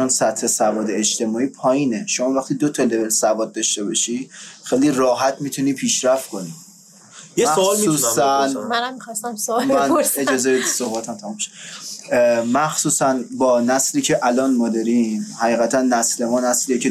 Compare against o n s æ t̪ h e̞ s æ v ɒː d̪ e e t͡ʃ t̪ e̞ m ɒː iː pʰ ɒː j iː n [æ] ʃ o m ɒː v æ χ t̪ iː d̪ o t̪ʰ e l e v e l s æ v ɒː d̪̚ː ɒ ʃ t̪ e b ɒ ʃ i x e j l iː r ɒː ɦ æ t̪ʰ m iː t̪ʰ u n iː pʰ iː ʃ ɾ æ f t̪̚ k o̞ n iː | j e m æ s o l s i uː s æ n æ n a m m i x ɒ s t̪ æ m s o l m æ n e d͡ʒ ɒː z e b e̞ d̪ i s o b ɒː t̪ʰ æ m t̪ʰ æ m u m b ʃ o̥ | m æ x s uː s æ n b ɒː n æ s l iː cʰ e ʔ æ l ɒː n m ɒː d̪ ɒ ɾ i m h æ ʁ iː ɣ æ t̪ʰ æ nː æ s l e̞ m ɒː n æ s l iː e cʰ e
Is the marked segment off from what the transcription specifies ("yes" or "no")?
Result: yes